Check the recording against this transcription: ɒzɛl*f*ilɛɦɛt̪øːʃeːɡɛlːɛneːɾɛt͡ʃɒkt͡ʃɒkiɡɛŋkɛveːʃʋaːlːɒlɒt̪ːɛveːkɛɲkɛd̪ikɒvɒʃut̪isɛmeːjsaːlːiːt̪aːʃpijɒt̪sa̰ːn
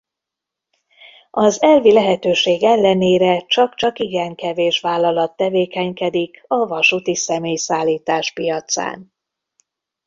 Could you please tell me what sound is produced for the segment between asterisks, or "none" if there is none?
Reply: v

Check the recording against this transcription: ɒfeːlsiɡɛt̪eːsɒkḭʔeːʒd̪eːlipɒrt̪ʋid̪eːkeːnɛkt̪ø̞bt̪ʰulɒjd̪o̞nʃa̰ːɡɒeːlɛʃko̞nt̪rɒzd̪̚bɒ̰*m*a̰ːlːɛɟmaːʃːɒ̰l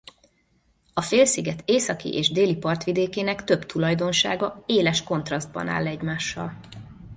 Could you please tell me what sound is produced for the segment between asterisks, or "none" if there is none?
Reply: n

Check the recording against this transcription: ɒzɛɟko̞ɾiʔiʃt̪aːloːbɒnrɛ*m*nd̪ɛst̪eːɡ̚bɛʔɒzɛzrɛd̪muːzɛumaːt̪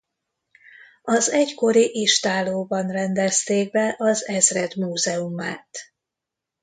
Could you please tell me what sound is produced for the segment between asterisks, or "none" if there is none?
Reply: none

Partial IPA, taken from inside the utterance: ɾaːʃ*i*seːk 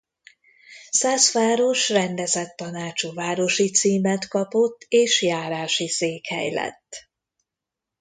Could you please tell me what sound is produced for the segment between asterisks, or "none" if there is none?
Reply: i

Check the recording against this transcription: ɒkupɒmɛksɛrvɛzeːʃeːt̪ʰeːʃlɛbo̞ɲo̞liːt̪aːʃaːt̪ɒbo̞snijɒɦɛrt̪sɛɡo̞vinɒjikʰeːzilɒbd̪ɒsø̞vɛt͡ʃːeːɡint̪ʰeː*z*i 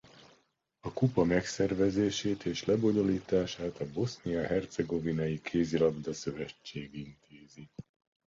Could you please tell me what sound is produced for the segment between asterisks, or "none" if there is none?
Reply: z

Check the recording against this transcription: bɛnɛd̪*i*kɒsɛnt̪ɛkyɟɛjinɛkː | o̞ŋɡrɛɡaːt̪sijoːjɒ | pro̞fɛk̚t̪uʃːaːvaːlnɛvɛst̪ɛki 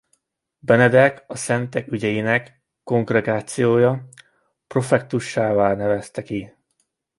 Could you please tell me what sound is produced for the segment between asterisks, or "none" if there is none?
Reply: ɛ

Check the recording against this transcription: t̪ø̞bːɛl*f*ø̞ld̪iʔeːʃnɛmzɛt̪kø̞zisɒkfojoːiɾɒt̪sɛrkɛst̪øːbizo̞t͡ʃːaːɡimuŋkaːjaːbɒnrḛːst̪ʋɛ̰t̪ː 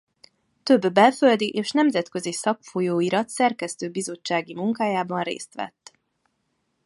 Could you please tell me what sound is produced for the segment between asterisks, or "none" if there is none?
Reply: f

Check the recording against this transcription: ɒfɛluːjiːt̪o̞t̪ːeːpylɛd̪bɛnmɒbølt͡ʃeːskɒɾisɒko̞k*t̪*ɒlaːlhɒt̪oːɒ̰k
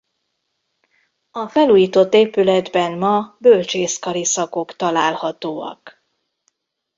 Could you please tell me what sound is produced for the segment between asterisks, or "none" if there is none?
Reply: t̪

